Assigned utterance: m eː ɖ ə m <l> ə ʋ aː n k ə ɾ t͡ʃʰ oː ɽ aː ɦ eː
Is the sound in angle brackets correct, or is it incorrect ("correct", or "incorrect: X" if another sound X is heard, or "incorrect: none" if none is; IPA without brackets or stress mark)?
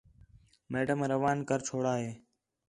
incorrect: ɾ